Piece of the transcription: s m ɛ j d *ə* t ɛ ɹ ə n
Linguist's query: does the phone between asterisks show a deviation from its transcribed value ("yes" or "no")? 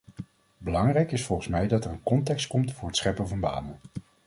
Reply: yes